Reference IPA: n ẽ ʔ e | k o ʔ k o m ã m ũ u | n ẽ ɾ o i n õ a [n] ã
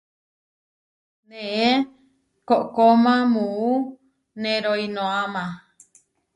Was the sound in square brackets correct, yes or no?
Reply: no